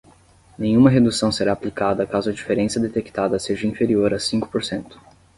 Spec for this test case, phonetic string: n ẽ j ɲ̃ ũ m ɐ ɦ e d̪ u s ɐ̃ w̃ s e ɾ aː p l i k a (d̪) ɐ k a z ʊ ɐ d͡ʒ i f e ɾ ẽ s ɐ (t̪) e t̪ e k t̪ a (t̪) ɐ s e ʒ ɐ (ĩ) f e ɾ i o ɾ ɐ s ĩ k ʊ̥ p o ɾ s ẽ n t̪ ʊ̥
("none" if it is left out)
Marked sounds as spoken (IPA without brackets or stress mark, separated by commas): d̪, d̪, d̪, ĩ